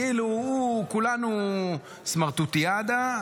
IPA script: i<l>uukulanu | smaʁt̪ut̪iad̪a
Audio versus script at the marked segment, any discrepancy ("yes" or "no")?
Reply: no